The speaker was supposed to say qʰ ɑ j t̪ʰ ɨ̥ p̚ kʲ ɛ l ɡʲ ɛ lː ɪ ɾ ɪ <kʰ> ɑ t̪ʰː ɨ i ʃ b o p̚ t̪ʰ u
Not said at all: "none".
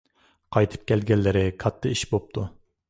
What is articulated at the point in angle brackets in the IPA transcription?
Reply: kʰ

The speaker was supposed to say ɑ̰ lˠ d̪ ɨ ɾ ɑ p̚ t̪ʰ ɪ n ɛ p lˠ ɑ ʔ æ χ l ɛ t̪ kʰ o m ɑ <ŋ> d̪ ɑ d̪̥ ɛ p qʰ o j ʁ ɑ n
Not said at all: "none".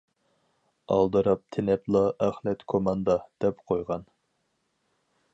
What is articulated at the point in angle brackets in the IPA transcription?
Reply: n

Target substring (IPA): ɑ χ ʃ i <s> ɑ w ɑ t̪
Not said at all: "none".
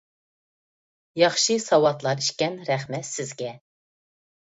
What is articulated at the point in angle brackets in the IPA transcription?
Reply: s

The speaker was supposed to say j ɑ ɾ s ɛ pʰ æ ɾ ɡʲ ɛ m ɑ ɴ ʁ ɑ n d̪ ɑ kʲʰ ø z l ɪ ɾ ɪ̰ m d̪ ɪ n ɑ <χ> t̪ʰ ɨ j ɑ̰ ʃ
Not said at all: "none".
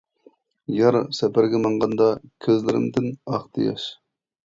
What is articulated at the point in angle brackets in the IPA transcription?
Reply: χ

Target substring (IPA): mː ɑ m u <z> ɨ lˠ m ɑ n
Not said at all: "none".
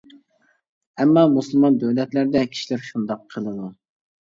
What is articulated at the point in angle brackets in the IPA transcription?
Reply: s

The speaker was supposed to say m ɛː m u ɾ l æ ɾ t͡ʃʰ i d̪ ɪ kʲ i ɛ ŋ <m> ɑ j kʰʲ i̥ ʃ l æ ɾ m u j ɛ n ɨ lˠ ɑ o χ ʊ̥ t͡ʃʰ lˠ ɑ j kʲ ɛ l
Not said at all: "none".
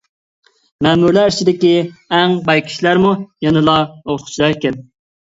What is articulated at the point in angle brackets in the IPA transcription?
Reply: b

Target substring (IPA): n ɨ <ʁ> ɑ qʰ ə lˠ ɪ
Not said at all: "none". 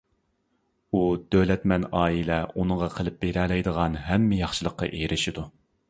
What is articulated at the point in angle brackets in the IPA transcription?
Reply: ʁ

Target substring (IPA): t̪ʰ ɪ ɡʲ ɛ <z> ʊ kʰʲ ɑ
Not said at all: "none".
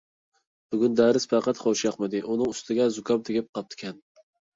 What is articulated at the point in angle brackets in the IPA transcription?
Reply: z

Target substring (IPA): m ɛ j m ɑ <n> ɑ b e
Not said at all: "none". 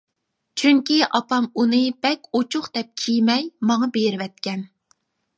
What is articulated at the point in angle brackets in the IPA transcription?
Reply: ŋ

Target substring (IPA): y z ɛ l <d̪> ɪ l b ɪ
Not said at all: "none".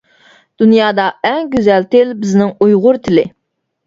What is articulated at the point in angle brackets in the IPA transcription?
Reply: t̪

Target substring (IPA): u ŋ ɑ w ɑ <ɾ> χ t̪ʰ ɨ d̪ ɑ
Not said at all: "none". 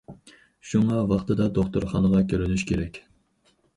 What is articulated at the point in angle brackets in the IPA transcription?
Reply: none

